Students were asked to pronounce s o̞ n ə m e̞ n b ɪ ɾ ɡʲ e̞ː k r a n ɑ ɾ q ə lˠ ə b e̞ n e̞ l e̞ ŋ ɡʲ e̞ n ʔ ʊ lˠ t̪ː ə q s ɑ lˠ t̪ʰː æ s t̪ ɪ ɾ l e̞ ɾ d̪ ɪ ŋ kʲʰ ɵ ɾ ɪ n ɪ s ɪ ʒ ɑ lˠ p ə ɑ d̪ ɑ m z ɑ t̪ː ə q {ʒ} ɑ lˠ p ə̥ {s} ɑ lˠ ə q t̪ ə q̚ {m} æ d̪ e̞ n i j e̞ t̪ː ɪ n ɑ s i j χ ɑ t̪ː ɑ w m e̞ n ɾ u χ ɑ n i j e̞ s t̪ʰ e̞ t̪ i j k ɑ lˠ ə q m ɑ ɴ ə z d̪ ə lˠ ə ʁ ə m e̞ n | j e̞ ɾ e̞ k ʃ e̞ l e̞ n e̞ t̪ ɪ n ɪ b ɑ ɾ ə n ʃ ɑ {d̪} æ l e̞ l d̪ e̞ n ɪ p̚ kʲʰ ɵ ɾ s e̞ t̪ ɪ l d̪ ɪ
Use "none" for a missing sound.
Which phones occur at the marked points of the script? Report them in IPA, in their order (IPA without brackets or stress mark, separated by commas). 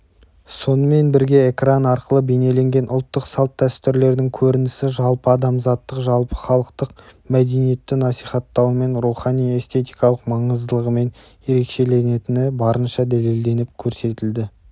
ʒ, χ, m, d̪